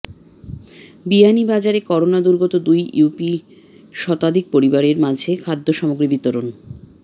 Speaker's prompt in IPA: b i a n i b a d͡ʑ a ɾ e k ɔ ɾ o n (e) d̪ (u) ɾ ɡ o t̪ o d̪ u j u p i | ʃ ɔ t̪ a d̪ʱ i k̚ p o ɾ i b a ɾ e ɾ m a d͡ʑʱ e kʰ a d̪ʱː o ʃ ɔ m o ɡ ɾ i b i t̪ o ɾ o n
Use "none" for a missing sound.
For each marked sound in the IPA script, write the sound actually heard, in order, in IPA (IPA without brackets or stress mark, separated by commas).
a, u